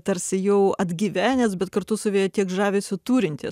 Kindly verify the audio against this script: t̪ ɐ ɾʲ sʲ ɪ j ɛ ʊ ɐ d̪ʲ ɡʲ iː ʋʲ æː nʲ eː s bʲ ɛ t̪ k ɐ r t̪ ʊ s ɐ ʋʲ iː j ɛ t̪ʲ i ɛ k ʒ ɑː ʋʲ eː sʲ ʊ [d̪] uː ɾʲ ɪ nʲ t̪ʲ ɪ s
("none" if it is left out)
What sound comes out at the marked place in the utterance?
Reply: t̪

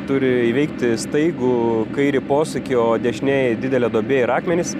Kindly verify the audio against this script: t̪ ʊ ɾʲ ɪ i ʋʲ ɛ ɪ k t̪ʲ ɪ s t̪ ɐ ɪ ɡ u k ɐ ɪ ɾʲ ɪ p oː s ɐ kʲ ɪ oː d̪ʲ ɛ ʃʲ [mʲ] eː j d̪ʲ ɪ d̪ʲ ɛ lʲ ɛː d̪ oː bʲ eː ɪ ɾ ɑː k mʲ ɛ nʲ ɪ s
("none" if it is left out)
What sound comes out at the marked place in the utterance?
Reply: nʲ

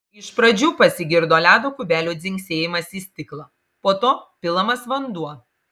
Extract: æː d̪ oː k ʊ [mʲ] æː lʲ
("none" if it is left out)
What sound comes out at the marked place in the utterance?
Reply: bʲ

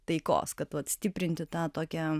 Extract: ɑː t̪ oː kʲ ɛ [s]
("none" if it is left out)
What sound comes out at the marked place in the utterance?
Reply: none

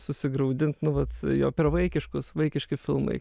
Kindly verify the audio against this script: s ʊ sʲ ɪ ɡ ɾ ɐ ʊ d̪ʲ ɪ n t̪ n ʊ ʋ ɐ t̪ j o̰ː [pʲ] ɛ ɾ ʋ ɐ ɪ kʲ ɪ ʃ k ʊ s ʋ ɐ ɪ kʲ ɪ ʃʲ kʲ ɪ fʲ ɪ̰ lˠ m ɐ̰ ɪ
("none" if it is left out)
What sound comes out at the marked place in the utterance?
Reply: pʲ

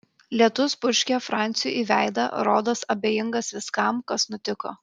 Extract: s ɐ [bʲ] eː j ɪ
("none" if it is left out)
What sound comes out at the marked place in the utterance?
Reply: bʲ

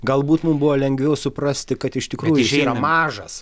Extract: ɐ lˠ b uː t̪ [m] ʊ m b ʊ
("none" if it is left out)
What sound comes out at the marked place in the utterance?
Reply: m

